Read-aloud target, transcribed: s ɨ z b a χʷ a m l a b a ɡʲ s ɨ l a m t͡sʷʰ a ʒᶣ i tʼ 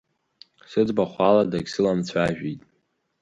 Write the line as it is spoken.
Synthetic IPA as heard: s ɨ d͡z b a χʷ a l a d a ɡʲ s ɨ l a m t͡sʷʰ a ʒᶣ i tʼ